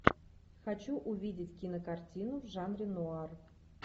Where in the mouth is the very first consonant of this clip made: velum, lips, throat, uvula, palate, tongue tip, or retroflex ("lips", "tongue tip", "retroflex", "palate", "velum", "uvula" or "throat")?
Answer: velum